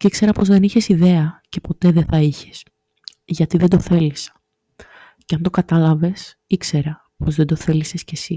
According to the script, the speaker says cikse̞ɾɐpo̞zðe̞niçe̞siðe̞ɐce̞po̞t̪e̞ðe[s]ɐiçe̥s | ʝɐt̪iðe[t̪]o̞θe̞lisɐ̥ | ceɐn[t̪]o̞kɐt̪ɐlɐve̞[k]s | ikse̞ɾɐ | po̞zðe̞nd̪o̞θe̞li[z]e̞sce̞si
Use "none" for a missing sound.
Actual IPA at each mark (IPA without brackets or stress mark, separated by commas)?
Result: θ, d̪, d̪, none, s